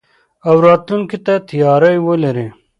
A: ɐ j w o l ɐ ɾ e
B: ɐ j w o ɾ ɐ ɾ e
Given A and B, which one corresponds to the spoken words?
A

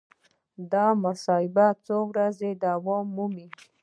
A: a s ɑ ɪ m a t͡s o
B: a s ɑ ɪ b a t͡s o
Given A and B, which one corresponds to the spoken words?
B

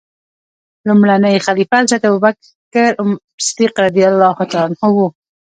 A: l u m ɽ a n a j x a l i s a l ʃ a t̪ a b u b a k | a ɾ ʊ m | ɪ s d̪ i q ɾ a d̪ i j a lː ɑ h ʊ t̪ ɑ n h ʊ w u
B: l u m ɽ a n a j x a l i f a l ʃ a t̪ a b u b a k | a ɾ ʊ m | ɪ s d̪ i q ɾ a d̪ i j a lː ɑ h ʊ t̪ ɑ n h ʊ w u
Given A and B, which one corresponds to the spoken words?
B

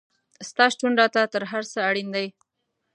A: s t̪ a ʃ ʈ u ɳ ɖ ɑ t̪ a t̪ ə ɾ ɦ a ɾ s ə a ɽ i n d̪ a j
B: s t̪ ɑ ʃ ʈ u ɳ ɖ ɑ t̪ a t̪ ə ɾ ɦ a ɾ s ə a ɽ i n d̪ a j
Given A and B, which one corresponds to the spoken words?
B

